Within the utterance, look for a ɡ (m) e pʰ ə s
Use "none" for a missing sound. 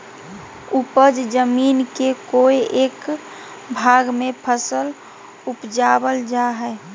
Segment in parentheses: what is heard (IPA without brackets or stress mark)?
m